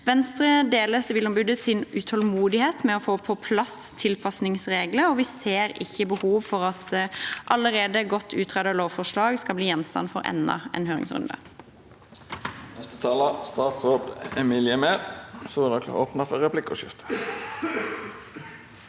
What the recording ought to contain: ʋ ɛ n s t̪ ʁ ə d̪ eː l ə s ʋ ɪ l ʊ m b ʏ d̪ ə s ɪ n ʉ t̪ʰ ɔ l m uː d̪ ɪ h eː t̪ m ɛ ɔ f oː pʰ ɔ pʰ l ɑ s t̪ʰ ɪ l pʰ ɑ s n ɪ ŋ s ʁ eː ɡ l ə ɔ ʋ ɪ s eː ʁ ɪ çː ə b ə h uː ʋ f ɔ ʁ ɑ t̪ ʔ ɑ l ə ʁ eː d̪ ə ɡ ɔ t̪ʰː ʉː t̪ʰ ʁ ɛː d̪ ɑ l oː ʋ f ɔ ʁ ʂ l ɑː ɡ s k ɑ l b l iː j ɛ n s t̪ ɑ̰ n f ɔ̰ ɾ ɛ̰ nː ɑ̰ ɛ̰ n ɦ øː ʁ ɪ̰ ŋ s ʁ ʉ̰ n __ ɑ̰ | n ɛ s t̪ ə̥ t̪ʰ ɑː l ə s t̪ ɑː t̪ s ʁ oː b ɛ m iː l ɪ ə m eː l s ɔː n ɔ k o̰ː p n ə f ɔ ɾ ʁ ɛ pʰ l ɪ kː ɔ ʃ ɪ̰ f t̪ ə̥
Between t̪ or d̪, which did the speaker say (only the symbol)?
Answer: d̪